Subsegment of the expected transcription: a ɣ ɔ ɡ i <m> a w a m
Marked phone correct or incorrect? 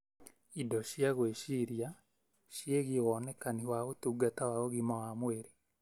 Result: correct